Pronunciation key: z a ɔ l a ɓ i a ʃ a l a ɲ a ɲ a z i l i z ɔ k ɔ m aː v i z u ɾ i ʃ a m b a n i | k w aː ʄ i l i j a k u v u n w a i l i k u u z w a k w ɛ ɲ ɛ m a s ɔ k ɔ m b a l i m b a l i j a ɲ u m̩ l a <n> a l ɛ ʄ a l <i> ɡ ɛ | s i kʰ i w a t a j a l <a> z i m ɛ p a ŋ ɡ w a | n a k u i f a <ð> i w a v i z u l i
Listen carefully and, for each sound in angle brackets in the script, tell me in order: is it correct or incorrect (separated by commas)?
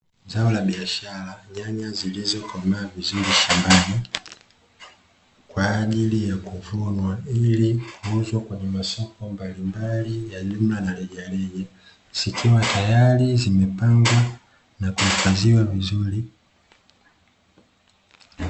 correct, incorrect, incorrect, incorrect